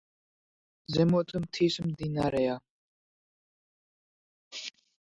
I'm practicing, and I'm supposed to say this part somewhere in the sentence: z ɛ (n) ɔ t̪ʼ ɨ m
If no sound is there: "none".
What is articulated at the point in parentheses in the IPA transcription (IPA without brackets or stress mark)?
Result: m